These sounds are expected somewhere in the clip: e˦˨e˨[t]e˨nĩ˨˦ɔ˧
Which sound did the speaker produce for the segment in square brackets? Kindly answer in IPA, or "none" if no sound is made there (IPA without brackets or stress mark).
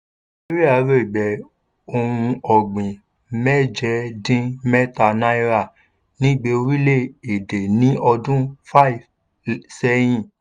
d